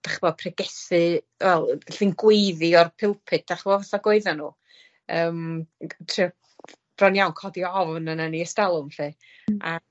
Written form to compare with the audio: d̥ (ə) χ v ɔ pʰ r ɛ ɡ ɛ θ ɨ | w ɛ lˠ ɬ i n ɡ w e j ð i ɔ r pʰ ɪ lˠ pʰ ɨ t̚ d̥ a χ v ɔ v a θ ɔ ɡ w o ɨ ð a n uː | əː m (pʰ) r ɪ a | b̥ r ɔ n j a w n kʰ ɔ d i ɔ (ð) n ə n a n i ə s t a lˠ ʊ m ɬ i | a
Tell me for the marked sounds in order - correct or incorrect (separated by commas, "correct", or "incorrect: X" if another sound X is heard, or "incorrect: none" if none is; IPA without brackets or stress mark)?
incorrect: a, incorrect: tʰ, incorrect: v